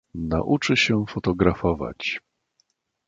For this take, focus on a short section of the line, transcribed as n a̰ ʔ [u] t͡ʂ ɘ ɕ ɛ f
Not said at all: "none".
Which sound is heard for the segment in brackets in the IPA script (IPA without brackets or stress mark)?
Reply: u